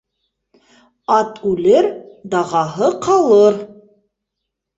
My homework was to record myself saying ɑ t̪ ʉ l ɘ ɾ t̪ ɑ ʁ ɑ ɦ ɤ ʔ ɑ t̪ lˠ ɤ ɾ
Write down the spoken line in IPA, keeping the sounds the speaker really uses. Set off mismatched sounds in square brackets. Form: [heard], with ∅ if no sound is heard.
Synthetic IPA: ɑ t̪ ʉ l ɘ ɾ [d̪] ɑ ʁ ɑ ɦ ɤ [q] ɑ [∅] lˠ ɤ ɾ